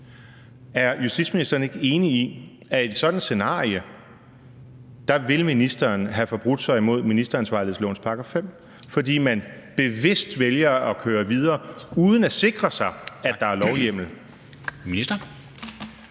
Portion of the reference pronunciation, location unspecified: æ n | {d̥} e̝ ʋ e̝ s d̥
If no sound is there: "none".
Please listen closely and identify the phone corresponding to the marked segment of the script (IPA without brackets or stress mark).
b̥